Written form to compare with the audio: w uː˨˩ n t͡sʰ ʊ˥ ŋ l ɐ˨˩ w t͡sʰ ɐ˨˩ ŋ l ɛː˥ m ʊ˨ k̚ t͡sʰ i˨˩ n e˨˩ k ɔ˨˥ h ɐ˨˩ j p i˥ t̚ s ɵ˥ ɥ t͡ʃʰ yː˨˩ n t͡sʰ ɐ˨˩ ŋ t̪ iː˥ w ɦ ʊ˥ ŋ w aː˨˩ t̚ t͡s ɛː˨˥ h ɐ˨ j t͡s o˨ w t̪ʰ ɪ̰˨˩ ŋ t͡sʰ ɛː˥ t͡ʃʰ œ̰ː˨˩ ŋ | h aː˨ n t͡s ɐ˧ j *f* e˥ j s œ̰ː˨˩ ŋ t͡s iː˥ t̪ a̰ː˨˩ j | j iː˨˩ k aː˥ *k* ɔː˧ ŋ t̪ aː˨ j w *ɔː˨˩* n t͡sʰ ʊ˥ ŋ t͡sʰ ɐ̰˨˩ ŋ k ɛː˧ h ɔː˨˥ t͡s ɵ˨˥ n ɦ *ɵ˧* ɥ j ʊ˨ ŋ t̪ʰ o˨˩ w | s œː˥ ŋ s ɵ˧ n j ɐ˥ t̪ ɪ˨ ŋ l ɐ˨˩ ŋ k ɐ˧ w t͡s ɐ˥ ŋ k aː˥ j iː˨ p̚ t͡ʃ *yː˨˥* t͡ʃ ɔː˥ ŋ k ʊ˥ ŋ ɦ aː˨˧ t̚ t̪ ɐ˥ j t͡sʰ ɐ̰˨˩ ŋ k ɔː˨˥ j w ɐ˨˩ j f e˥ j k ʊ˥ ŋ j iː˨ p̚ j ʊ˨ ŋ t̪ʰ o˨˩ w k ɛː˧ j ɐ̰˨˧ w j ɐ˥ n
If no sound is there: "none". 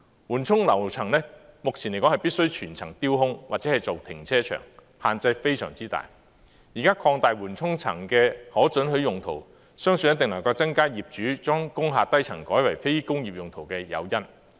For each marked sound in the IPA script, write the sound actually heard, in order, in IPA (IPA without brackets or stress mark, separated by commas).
f, kʰ, uː˨˩, ɵ˨˥, yː˨˥